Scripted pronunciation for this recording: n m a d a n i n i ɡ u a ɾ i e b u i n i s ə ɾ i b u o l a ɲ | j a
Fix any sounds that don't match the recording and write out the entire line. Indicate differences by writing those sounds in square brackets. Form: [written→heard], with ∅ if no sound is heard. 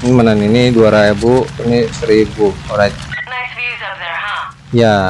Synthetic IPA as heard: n m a [d→n] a n i n i [ɡ→d] u a ɾ [i→a] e b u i n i s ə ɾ i b u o [l→ɾ] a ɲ | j a